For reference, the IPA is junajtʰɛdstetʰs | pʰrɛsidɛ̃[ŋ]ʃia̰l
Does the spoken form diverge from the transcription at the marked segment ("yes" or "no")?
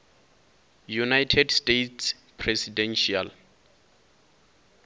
yes